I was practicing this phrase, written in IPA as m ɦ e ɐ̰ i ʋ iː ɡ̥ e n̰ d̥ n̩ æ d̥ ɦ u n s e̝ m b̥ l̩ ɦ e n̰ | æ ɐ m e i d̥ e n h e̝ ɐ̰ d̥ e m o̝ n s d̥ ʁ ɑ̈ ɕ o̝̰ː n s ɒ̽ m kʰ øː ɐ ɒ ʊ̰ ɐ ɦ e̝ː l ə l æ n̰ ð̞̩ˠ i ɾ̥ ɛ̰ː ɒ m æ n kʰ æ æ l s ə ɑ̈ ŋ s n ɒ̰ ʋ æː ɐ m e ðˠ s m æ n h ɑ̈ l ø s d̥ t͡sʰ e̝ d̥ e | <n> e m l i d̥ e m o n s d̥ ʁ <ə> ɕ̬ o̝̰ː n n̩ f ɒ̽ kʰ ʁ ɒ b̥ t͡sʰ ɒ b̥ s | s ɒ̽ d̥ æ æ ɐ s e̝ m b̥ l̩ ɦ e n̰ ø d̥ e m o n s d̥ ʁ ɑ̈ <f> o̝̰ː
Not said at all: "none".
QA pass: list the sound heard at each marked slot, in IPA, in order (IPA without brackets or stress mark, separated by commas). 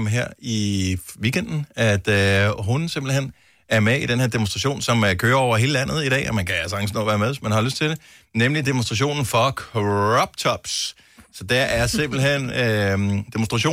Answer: n, ɑ, ɕ